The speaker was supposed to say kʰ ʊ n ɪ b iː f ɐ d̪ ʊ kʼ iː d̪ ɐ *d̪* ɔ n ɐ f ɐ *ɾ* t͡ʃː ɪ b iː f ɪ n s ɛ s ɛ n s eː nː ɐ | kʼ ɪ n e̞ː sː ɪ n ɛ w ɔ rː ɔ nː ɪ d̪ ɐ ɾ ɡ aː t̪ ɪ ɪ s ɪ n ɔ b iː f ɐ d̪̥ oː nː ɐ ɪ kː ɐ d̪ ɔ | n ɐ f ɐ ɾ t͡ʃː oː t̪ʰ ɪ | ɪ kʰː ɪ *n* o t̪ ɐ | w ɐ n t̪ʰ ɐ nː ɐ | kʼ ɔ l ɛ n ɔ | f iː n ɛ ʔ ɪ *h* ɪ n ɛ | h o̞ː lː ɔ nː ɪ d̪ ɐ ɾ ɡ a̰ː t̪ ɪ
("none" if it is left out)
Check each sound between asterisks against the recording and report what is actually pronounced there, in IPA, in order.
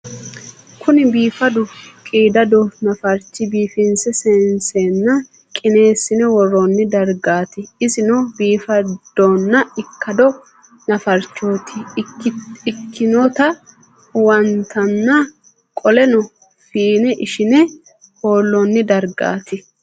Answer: d̪, ɾ, n, ʃ

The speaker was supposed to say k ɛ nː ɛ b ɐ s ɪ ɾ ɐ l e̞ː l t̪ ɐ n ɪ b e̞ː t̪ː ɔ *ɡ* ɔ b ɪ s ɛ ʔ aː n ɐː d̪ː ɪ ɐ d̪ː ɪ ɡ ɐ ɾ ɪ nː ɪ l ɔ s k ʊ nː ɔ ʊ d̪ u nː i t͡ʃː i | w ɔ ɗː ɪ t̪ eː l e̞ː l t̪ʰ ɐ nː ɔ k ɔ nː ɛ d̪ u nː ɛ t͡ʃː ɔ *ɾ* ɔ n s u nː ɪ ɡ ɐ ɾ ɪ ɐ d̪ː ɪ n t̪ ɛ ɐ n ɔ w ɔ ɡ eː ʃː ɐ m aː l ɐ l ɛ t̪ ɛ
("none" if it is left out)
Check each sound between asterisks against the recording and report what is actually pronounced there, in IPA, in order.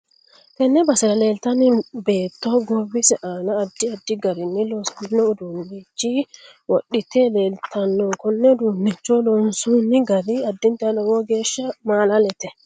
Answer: ɡ, l

